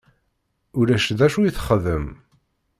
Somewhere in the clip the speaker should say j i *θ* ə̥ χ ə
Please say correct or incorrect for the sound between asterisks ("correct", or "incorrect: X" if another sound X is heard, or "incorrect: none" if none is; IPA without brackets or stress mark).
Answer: correct